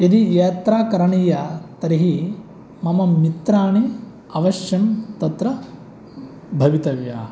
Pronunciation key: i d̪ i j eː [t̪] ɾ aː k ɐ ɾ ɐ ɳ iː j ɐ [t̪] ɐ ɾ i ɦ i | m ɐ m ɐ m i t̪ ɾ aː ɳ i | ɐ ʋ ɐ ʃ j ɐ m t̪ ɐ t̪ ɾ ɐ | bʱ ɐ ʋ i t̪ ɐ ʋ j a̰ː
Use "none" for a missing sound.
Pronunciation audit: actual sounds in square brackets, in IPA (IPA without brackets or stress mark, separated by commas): t̪, t̪